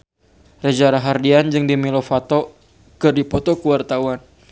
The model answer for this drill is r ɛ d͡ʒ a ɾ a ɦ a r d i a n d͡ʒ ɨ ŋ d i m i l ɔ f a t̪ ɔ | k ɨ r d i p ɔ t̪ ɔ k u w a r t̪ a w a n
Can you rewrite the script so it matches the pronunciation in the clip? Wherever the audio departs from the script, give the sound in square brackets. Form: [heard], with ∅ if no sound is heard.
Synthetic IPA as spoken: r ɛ d͡ʒ a ɾ a ɦ a r d i a n d͡ʒ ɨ ŋ d i m i l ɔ f a t̪ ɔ | k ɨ r d i p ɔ t̪ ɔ k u w a r t̪ a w a n